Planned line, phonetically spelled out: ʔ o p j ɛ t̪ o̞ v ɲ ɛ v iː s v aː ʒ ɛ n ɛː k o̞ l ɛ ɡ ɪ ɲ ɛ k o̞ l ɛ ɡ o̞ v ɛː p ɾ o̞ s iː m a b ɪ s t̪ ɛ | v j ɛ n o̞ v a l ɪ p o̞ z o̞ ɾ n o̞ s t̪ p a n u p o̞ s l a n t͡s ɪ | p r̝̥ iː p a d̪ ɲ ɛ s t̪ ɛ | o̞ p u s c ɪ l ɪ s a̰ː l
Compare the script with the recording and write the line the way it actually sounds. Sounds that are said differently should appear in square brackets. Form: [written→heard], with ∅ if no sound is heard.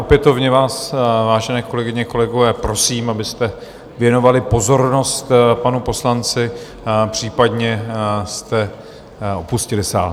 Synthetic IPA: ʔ o p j ɛ t̪ o̞ v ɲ ɛ v [iː→aː] s v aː ʒ ɛ n ɛː k o̞ l ɛ ɡ ɪ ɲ ɛ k o̞ l ɛ ɡ o̞ v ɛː p ɾ o̞ s iː m a b ɪ s t̪ ɛ | v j ɛ n o̞ v a l ɪ p o̞ z o̞ ɾ n o̞ s t̪ p a n u p o̞ s l a n t͡s ɪ | p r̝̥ iː p a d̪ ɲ ɛ s t̪ ɛ | o̞ p u s c ɪ l ɪ s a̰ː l

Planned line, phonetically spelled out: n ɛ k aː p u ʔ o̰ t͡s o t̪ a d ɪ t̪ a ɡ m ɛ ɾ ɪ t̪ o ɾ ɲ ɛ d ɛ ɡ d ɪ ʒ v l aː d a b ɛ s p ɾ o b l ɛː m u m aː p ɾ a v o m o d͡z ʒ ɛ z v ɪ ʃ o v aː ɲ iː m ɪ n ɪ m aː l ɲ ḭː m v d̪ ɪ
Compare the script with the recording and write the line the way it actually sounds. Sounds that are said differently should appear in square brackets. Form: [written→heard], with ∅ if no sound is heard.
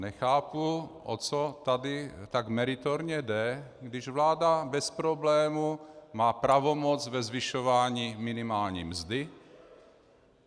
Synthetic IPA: n ɛ [k→x] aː p u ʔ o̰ t͡s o t̪ a d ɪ t̪ a ɡ m ɛ ɾ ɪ t̪ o ɾ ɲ ɛ d ɛ ɡ d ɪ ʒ v l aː d a b ɛ s p ɾ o b l ɛː m u m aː p ɾ a v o m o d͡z [ʒ→v] ɛ z v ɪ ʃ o v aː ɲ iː m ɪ n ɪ m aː l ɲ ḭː m [v→z] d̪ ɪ

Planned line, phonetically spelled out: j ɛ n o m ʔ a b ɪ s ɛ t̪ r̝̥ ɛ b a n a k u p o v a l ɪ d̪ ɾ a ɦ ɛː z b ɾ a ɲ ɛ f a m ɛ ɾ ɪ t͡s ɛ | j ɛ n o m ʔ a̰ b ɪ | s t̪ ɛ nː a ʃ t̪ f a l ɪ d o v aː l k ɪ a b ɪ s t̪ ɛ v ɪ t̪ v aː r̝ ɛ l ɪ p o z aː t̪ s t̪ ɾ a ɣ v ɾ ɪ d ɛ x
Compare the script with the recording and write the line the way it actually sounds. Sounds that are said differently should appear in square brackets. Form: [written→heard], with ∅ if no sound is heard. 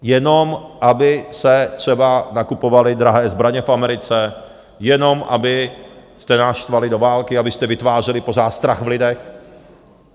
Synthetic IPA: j ɛ n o m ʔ a b ɪ s ɛ t̪ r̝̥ ɛ b a n a k u p o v a l ɪ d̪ ɾ a ɦ ɛː z b ɾ a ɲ ɛ f a m ɛ ɾ ɪ t͡s ɛ | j ɛ n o m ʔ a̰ b ɪ | s t̪ ɛ [nː→n] a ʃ t̪ [f→v] a l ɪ d o v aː l k ɪ a b ɪ s t̪ ɛ v ɪ t̪ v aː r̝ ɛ l ɪ p o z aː t̪ s t̪ ɾ a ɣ v [ɾ→l] ɪ d ɛ x

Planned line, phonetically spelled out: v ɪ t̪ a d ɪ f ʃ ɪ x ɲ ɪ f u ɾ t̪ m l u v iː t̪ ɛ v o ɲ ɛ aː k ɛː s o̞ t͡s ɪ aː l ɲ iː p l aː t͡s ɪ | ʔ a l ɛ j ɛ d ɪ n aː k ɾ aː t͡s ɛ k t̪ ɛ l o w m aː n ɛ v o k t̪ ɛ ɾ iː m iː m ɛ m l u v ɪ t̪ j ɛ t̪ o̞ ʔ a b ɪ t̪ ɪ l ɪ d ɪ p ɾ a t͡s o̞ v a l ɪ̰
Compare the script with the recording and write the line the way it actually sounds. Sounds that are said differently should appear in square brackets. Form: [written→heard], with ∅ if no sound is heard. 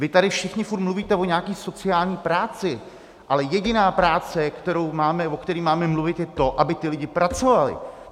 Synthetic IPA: v ɪ t̪ a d ɪ f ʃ ɪ x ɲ ɪ f u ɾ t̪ m l u v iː t̪ ɛ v o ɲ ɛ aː k [ɛː→iː] s o̞ t͡s ɪ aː l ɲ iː p [l→ɾ] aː t͡s ɪ | ʔ a l ɛ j ɛ [d→ɟ] ɪ n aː [k→p] ɾ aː t͡s ɛ k t̪ ɛ [l→ɾ] o w m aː [n→m] ɛ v o k t̪ ɛ ɾ iː m [iː→aː] m ɛ m l u v ɪ t̪ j ɛ t̪ o̞ ʔ a b ɪ t̪ ɪ l ɪ [d→ɟ] ɪ p ɾ a t͡s o̞ v a l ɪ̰

